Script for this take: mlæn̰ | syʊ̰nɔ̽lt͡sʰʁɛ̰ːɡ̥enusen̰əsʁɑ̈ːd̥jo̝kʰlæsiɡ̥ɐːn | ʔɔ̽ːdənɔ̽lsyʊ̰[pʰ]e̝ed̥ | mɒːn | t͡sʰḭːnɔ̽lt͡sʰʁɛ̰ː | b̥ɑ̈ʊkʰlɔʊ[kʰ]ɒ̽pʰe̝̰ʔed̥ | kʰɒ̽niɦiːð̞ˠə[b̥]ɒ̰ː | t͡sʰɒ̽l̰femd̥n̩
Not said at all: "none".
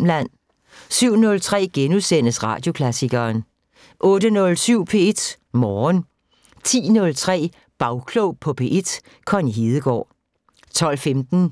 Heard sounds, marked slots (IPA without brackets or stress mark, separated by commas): pʰ, pʰ, ɡ̥